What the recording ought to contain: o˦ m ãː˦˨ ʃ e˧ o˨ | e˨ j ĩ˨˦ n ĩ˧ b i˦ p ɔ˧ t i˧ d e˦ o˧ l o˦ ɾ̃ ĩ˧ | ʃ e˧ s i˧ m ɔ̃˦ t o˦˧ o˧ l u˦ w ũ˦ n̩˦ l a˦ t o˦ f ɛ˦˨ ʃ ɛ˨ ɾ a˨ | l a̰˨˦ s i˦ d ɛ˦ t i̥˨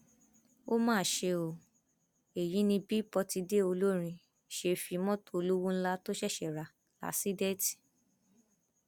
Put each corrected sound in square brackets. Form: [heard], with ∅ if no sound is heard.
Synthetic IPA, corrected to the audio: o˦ m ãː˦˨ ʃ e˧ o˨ | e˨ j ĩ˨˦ n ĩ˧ b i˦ p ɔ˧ t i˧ d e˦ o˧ l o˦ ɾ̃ ĩ˧ | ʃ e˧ [f] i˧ m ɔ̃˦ t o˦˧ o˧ l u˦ w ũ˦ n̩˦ l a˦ t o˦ [ʃ] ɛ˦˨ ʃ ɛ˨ ɾ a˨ | l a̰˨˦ s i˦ d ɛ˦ t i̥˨